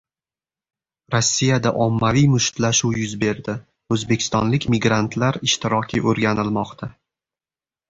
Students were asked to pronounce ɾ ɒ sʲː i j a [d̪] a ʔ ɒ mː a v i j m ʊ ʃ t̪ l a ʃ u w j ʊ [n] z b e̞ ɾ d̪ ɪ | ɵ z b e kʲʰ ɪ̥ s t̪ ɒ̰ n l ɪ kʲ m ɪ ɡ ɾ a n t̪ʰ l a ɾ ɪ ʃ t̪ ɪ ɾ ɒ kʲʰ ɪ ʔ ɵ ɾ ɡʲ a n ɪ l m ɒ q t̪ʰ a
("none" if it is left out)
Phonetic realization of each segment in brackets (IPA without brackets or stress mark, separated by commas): d̪, none